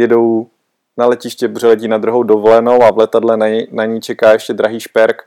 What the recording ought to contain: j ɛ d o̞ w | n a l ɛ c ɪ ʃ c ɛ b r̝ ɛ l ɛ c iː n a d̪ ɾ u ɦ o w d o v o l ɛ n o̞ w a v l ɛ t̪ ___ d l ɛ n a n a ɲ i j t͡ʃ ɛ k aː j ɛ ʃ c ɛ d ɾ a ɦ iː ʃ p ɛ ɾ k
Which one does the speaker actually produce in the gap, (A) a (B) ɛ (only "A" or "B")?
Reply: A